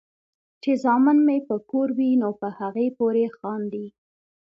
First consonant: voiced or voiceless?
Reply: voiceless